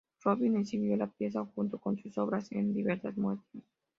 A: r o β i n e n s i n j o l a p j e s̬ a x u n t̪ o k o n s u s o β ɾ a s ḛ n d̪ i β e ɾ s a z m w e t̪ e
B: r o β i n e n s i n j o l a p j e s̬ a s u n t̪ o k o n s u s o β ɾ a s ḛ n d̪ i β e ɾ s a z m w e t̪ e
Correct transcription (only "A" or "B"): A